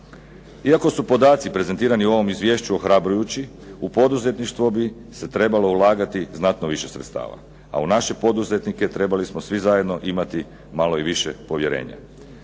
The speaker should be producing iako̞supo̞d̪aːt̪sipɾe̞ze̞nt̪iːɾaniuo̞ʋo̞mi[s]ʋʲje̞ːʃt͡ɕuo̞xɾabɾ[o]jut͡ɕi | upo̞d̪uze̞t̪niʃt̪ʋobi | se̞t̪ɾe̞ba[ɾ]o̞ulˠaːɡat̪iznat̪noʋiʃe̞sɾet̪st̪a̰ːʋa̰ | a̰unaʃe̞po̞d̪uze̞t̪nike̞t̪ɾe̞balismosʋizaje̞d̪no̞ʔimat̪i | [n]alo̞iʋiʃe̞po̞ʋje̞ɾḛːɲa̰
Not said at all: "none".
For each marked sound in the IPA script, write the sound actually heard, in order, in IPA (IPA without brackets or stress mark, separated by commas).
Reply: z, u, l, m